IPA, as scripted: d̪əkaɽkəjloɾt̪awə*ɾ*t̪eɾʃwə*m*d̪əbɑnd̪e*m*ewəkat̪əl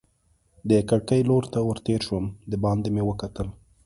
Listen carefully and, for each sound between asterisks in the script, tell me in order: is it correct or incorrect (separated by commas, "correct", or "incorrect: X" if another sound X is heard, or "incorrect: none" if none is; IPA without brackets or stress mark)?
correct, correct, correct